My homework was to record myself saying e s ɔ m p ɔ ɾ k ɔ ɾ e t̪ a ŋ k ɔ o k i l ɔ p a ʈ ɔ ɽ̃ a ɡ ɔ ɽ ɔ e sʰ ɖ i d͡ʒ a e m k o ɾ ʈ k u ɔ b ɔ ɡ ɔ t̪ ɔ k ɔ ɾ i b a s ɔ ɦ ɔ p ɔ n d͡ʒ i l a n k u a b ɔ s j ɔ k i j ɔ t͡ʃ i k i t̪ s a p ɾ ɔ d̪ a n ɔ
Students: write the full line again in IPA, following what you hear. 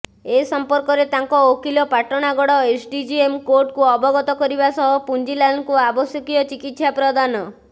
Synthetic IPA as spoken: e s ɔ m p ɔ ɾ k ɔ ɾ e t̪ a ŋ k ɔ o k i l ɔ p a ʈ ɔ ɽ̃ a ɡ ɔ ɽ ɔ e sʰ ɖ i d͡ʒ i e m k o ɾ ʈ k u ɔ b ɔ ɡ ɔ t̪ ɔ k ɔ ɾ i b a s ɔ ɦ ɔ p u n d͡ʒ i l a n k u a b ɔ s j ɔ k i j ɔ t͡ʃ i k i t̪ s a p ɾ ɔ d̪ a n ɔ